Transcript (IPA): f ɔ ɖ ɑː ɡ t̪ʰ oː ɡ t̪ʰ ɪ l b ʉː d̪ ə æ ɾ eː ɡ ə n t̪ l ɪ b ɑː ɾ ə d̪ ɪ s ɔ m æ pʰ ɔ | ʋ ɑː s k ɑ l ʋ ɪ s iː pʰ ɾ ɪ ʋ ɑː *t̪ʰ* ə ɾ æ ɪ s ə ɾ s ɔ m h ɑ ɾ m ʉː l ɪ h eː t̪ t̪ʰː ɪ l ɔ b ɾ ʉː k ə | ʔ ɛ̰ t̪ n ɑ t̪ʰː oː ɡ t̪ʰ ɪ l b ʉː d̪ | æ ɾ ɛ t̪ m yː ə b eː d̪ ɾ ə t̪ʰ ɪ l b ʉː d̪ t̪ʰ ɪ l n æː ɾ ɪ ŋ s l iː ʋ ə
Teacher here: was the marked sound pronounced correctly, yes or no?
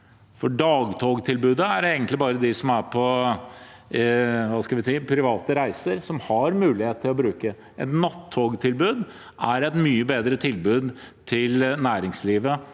no